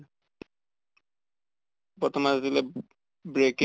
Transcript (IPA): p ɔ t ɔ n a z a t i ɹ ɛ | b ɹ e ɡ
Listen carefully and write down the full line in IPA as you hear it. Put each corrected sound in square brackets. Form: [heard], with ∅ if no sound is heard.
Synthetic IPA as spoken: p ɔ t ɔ [m] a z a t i [l] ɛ | b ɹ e [k]